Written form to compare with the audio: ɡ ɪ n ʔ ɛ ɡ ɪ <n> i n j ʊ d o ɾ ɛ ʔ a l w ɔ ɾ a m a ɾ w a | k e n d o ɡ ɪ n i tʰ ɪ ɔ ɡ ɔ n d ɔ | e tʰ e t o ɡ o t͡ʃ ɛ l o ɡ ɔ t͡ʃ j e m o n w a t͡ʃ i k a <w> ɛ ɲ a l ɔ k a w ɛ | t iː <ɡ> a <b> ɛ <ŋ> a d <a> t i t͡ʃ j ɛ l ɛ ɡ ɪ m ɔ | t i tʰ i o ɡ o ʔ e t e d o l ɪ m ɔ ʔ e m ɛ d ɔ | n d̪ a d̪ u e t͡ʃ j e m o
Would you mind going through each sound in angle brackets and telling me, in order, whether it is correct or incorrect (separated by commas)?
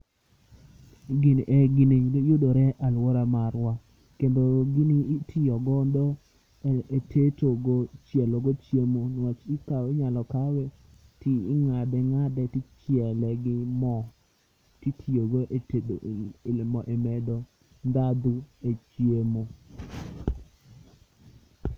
correct, correct, incorrect, incorrect, correct, incorrect